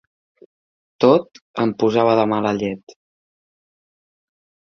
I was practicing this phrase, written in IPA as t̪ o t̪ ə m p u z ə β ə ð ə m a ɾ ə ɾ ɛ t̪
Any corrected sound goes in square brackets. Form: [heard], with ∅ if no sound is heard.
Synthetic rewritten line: t̪ o t̪ ə m p u z [a] β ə ð ə m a [l] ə [ʎ] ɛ t̪